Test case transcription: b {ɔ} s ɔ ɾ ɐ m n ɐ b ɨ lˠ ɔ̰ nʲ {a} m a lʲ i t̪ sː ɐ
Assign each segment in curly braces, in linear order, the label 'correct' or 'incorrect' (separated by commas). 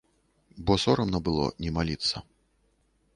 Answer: correct, incorrect